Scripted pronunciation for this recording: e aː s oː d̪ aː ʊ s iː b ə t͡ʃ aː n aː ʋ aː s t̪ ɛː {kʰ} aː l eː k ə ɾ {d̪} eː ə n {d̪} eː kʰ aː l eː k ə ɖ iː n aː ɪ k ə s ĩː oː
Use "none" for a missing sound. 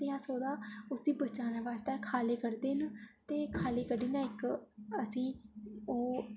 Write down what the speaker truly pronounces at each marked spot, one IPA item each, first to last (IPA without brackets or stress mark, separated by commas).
kʰ, d̪, t̪